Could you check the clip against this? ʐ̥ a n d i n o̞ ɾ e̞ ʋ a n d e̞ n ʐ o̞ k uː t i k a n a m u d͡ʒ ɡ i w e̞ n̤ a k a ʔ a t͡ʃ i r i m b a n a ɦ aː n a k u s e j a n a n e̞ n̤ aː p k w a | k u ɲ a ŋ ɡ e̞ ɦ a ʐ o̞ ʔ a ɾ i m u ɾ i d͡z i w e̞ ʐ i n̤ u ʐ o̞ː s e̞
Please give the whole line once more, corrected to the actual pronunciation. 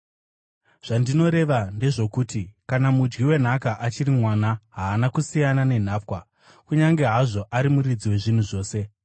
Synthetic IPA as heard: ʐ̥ a n d i n o̞ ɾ e̞ ʋ a n d e̞ ʐ o̞ k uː t i k a n a m u d͡ʒ ɡ i w e̞ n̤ a k a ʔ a t͡ʃ i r i m w a n a ɦ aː n a k u s i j a n a n e̞ n̤ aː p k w a | k u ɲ a ŋ ɡ e̞ ɦ a ʐ o̞ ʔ a ɾ i m u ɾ i d͡z i w e̞ ʐ i n̤ u ʐ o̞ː s e̞